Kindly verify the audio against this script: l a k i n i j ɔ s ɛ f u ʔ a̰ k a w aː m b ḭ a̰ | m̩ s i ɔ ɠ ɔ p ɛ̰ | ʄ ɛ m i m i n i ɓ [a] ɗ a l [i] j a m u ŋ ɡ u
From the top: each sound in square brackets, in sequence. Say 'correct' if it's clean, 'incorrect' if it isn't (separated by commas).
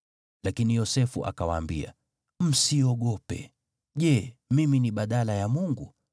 correct, incorrect